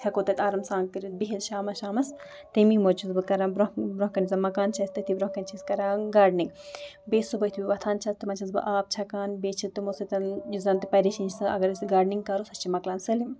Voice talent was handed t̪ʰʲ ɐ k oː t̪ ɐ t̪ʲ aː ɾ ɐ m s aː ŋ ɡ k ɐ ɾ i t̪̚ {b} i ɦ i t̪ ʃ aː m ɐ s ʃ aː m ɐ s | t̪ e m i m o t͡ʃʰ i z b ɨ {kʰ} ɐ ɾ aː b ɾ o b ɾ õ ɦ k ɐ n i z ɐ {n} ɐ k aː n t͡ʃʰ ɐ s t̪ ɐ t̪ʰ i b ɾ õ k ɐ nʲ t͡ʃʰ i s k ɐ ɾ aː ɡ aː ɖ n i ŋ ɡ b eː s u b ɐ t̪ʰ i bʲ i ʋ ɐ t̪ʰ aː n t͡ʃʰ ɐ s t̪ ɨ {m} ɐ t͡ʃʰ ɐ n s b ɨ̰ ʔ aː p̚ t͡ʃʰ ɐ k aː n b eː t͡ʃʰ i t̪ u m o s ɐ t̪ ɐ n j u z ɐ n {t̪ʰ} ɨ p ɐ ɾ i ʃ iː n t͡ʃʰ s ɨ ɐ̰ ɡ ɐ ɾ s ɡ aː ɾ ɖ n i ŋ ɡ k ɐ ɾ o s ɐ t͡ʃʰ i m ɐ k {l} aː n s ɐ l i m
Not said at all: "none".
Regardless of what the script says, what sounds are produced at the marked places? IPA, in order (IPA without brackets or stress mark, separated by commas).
b, k, m, m, t̪, l